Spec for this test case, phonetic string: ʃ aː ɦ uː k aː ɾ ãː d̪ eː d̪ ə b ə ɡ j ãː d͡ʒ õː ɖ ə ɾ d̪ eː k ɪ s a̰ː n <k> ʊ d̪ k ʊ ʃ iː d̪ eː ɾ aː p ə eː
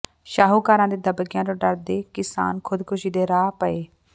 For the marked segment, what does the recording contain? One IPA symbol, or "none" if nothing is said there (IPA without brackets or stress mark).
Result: kʰ